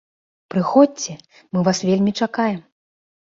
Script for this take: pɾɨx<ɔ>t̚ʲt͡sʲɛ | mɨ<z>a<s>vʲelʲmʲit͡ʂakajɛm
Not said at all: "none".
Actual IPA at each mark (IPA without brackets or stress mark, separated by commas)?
ɔ, v, s